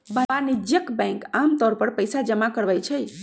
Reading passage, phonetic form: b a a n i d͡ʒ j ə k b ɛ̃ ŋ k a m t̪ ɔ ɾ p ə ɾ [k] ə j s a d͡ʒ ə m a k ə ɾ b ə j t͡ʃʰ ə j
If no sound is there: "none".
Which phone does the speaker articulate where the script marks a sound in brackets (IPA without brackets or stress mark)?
p